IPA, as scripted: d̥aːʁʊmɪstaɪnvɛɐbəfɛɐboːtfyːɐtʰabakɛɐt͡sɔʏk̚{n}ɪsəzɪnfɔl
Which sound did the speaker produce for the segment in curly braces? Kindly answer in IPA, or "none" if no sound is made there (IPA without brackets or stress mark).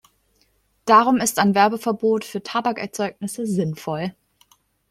n